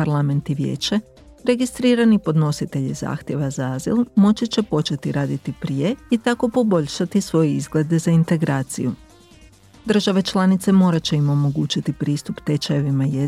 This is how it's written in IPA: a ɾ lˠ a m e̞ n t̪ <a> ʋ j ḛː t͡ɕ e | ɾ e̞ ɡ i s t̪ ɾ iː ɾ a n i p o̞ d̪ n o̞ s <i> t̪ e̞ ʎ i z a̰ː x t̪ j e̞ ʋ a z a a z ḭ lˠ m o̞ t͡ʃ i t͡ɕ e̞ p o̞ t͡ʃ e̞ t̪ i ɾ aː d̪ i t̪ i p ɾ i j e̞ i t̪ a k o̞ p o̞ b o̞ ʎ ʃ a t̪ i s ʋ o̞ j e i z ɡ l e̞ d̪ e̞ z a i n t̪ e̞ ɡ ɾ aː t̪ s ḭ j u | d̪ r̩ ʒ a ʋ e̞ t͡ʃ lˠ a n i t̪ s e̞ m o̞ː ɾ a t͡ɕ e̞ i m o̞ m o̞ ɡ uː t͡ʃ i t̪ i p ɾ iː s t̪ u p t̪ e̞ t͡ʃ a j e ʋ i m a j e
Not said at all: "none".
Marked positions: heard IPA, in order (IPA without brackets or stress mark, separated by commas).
i, i